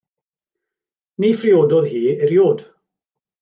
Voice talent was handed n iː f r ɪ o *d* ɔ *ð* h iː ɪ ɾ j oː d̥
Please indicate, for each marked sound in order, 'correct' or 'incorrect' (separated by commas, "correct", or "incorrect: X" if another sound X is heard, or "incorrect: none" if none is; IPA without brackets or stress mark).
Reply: correct, correct